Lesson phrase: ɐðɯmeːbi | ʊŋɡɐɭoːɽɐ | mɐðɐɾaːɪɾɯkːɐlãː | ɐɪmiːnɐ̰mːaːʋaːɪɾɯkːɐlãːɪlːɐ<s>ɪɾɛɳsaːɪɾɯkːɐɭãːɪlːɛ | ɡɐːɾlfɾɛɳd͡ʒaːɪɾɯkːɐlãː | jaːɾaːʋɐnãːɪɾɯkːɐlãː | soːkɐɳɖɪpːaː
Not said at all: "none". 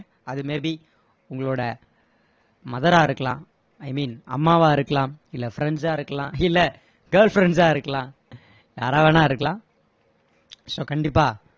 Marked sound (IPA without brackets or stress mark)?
f